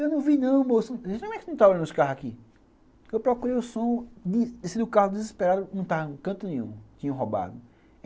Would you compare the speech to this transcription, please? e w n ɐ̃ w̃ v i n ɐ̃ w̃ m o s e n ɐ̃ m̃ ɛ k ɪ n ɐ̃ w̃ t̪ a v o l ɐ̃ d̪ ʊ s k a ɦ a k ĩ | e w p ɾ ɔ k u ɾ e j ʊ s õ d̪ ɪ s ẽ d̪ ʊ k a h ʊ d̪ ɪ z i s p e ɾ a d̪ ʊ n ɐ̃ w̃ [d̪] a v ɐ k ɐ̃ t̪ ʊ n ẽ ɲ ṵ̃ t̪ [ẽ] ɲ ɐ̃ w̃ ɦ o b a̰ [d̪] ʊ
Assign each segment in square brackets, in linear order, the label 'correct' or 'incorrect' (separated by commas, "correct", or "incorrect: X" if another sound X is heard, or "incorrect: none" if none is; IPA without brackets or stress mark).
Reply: incorrect: t̪, incorrect: ĩ, correct